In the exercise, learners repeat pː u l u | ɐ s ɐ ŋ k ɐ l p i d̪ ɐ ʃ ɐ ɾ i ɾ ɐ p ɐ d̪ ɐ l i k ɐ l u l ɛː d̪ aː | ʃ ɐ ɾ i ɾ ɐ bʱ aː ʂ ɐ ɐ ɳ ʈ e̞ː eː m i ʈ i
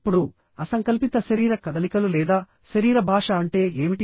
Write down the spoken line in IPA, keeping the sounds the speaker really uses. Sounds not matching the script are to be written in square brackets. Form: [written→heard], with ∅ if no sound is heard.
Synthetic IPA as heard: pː u [l→ɽ] u | ɐ s ɐ ŋ k ɐ l p i [d̪→t̪] ɐ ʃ ɐ ɾ [i→iː] ɾ ɐ [p→k] ɐ d̪ ɐ l i k ɐ l u l ɛː d̪ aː | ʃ ɐ ɾ [i→iː] ɾ ɐ bʱ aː ʂ ɐ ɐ ɳ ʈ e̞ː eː m i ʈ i